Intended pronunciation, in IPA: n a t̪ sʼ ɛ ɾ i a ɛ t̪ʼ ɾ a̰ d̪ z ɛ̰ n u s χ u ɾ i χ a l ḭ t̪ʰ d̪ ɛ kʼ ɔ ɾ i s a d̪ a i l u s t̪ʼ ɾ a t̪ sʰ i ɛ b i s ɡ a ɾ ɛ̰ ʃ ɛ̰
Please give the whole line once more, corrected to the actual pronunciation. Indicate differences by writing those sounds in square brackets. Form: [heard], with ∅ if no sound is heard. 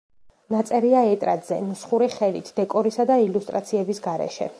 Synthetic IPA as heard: n a t̪ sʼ ɛ ɾ i a ɛ t̪ʼ ɾ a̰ d̪ z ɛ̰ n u s χ u ɾ i χ [ɛ] l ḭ t̪ʰ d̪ ɛ kʼ ɔ ɾ i s a d̪ a i l u s t̪ʼ ɾ a t̪ sʰ i ɛ b i s ɡ a ɾ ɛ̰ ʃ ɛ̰